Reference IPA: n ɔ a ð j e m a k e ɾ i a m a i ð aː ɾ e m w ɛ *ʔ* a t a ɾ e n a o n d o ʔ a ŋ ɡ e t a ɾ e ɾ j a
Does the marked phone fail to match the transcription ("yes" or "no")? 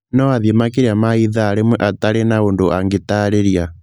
no